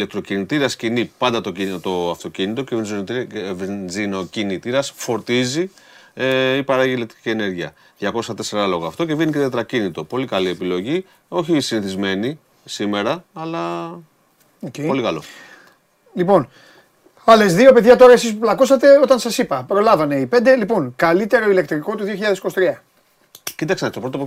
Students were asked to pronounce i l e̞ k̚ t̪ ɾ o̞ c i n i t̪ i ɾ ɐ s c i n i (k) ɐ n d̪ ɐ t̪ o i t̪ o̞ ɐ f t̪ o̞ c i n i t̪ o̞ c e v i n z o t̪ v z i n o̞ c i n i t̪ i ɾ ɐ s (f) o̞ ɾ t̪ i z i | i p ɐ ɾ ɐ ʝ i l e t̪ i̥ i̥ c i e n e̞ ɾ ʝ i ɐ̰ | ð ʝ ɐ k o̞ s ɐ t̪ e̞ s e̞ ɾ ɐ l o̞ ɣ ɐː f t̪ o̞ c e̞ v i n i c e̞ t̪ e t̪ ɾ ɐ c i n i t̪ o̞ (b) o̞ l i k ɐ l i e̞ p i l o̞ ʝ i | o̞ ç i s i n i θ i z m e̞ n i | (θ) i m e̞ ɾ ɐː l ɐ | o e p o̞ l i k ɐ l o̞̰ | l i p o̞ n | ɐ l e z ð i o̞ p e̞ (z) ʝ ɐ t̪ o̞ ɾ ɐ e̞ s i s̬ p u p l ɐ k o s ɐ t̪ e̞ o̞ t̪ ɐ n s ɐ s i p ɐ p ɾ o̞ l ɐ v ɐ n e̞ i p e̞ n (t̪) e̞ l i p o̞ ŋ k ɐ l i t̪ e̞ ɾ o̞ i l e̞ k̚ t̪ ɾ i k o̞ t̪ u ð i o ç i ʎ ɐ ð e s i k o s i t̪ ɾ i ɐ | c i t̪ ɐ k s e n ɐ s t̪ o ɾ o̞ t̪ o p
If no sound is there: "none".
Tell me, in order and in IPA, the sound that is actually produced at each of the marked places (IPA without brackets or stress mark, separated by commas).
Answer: p, f, p, s, ð, d̪